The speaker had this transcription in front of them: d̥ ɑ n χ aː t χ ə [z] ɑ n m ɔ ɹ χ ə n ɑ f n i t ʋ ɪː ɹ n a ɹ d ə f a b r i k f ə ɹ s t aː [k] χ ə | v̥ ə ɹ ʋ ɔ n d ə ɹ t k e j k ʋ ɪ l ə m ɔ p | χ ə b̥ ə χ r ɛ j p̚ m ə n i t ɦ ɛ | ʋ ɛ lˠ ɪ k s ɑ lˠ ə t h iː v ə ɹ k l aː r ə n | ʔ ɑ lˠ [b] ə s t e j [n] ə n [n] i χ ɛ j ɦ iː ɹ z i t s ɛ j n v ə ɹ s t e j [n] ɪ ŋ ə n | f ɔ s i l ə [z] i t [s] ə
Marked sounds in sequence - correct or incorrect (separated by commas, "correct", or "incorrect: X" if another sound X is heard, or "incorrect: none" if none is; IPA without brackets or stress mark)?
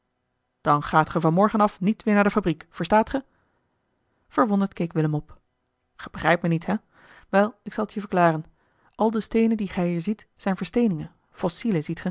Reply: incorrect: v, incorrect: t, incorrect: d, correct, incorrect: d, correct, correct, incorrect: χ